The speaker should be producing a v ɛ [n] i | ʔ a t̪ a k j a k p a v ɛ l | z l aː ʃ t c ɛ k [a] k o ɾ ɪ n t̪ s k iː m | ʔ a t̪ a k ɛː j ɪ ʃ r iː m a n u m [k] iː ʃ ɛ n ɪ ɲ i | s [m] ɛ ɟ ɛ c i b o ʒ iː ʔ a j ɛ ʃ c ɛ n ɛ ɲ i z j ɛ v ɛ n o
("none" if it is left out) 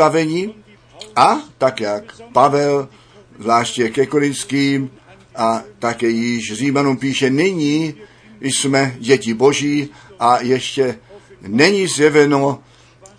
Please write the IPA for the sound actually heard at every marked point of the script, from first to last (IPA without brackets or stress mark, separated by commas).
ɲ, ɛ, p, m